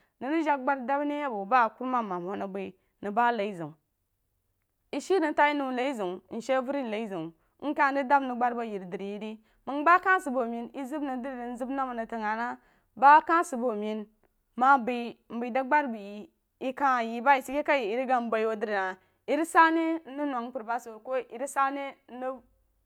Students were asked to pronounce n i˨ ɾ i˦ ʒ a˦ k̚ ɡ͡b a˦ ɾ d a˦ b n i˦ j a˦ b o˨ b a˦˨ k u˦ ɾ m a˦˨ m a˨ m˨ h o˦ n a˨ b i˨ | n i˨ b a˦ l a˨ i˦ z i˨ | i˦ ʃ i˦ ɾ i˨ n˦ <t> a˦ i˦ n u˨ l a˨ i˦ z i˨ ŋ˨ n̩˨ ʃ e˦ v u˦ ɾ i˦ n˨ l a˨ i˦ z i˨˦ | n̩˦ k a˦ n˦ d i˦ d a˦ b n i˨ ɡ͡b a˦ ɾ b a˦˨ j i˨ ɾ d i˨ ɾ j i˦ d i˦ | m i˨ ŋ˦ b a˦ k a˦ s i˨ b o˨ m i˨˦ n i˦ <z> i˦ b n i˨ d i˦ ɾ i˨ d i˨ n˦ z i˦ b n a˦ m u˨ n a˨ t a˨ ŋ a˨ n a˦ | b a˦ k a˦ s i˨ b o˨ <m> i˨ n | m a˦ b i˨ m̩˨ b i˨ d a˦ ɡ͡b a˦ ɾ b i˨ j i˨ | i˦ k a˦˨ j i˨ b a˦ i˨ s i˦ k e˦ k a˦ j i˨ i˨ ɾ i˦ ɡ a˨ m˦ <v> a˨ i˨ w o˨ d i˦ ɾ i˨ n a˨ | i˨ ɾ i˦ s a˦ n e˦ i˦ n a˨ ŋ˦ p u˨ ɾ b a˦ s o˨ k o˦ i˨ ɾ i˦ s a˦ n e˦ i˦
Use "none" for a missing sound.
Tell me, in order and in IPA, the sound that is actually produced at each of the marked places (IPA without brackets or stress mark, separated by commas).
t, z, m, b